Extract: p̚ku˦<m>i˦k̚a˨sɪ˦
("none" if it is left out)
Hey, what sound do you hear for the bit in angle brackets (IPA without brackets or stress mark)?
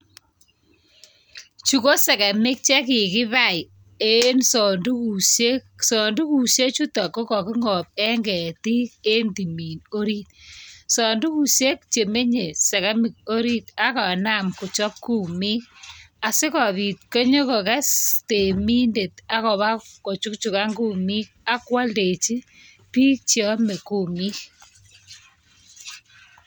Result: m